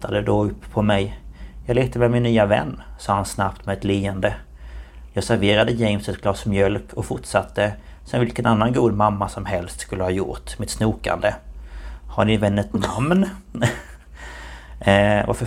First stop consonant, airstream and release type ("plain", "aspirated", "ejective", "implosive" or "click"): plain